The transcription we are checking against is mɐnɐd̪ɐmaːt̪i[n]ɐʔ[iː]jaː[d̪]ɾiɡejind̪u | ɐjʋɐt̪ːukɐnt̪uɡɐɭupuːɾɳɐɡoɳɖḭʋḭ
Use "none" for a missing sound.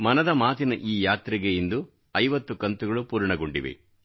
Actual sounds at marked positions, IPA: n, iː, t̪

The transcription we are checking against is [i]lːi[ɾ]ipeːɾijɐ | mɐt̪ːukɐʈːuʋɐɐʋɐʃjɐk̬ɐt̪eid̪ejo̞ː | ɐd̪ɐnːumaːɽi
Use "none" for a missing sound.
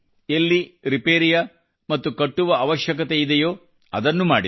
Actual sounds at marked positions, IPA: e, ɾ

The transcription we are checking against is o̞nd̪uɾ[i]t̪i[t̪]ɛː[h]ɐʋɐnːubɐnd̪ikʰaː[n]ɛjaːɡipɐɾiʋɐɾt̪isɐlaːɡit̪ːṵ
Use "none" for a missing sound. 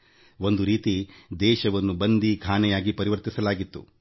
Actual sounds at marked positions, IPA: iː, d̪, ʃ, n

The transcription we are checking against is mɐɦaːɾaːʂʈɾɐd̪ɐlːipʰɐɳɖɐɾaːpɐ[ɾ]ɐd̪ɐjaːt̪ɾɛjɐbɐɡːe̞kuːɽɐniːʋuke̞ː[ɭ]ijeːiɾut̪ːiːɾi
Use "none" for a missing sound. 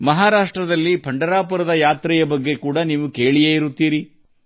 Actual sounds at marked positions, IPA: ɾ, ɭ

